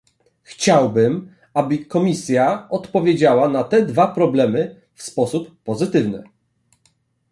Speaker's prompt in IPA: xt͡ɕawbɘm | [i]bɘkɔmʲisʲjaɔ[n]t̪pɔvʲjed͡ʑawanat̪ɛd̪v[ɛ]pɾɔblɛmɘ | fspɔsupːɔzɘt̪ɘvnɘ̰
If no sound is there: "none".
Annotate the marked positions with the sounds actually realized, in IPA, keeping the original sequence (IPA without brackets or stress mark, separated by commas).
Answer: a, none, a